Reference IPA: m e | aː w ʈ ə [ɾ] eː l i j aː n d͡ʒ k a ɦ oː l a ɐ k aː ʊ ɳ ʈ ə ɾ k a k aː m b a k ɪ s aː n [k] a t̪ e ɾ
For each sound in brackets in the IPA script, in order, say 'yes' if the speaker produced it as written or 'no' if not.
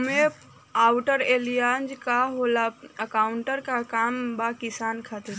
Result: yes, no

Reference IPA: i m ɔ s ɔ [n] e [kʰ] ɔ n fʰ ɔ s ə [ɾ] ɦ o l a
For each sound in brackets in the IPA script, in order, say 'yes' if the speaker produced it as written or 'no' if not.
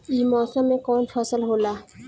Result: no, no, no

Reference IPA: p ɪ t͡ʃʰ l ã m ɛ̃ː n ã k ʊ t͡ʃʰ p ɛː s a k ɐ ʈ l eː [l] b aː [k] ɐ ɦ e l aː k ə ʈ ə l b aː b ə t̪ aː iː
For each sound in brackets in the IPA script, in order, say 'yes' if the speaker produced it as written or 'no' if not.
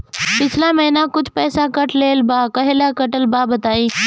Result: yes, yes

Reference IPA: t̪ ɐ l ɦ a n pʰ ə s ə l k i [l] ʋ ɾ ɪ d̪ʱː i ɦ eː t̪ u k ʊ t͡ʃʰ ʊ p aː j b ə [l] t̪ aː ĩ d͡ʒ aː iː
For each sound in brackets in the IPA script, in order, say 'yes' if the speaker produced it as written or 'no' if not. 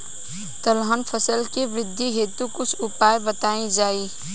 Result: no, no

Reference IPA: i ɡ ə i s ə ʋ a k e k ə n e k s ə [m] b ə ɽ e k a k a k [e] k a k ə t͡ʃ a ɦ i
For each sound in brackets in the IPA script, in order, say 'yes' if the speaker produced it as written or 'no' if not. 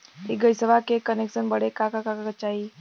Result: no, no

